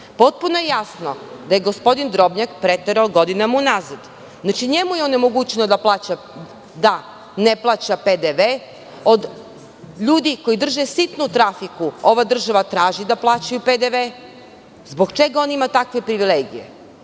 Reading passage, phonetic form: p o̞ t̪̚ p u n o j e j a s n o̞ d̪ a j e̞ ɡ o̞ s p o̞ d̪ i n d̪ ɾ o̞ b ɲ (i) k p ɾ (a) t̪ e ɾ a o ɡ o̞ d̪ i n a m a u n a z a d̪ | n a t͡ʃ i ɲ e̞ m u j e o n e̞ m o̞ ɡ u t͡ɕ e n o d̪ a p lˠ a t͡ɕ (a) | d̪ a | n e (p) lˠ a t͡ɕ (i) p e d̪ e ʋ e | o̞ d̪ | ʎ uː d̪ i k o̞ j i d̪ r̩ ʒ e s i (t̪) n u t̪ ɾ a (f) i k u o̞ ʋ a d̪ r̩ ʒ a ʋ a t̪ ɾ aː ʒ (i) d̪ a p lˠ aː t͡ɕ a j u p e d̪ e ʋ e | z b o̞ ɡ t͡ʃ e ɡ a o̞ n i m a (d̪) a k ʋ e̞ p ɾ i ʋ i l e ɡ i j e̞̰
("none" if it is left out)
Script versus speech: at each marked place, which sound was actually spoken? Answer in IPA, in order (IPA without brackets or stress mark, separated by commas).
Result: a, e, a, p, a, t̪, f, i, t̪